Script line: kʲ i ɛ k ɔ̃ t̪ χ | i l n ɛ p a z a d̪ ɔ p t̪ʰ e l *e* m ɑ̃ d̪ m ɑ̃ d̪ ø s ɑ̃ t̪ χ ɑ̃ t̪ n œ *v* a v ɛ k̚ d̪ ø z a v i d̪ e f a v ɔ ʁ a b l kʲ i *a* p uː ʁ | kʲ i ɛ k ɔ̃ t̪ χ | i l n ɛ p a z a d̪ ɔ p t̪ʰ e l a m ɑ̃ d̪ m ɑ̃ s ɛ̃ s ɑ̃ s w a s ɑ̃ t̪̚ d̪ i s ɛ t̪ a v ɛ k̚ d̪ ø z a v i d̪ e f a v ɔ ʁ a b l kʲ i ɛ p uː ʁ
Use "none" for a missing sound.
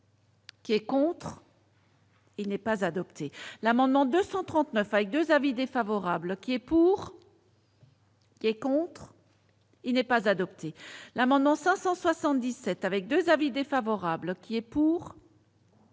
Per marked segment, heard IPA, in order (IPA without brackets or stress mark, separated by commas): a, f, ɛ